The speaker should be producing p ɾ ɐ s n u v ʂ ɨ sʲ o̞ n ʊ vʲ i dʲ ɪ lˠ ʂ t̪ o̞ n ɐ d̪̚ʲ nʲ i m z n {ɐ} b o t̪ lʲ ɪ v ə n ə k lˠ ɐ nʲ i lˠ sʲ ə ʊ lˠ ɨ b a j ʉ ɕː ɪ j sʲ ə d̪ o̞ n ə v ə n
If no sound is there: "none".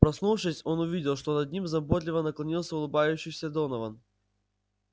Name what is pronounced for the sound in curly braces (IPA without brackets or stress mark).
ɐ